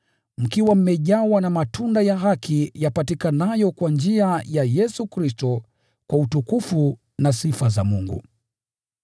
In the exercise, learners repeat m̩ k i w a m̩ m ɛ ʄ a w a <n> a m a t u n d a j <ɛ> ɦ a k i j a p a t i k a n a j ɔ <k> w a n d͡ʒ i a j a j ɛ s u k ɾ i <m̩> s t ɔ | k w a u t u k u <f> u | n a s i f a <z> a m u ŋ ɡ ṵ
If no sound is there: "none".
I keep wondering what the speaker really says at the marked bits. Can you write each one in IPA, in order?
n, a, k, none, f, z

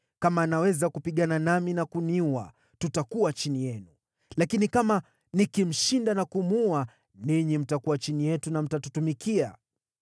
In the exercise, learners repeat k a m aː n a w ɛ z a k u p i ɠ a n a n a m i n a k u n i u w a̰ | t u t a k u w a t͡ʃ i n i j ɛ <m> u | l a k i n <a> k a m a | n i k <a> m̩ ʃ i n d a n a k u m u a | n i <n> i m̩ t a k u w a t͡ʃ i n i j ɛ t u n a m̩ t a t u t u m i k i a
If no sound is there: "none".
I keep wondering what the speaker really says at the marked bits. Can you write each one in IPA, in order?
n, i, i, ɲ

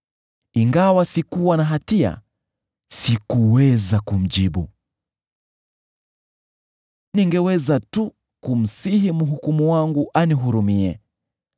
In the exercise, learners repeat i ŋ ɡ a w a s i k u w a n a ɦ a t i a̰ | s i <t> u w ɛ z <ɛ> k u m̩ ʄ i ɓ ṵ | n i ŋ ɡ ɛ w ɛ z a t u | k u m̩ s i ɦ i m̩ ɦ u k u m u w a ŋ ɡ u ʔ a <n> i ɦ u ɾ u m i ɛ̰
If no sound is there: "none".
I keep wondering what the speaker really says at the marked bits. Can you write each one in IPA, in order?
k, a, n

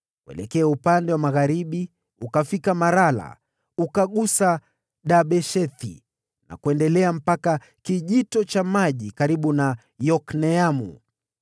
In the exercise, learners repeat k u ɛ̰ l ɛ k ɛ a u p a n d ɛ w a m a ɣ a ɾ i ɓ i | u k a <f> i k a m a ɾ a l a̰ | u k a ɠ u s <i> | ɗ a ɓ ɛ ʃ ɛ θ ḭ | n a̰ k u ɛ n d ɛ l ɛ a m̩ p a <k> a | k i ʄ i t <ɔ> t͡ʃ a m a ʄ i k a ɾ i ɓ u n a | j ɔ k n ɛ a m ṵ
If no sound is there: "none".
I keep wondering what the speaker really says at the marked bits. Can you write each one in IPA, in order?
f, a, k, ɔ

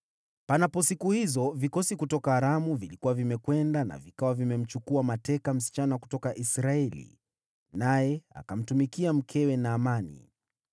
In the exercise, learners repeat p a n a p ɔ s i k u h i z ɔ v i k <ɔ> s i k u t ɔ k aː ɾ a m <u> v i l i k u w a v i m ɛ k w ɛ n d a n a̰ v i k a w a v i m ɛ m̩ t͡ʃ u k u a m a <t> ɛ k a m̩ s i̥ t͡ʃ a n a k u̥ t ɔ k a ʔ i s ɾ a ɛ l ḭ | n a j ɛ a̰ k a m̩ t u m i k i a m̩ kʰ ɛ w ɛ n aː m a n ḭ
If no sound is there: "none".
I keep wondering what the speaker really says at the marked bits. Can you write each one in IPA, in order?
ɔ, u, t

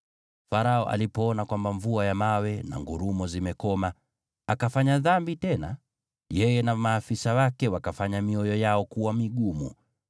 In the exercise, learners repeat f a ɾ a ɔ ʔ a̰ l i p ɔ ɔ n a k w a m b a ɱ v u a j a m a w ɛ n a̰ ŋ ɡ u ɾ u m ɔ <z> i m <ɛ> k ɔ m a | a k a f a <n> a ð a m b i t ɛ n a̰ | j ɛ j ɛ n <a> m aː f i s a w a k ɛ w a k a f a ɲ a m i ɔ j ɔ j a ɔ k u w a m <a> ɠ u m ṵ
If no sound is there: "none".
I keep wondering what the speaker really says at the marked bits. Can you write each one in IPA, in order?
z, ɛ, ɲ, a, i

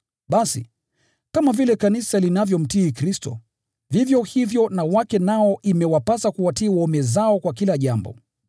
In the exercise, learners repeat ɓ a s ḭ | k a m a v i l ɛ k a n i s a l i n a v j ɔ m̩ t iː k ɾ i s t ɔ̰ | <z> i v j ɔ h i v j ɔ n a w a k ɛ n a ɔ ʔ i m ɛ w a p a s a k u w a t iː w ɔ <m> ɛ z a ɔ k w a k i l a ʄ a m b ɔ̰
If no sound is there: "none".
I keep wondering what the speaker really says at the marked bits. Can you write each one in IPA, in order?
v, m

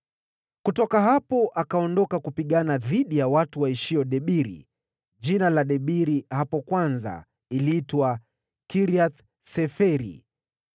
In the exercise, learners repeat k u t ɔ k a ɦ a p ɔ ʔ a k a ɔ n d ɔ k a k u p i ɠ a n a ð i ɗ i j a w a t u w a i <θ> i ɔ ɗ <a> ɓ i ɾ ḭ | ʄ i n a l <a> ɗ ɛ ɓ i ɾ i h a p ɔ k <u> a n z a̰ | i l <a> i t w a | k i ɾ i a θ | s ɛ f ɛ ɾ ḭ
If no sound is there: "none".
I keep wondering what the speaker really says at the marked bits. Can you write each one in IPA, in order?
ʃ, ɛ, a, w, i

